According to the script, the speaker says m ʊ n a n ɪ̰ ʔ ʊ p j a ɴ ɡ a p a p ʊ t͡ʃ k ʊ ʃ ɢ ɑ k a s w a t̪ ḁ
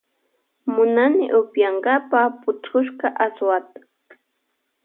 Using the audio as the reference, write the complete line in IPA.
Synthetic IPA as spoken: m ʊ n a n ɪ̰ ʔ ʊ p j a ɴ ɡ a p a p ʊ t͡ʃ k ʊ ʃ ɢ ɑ ʔ a s w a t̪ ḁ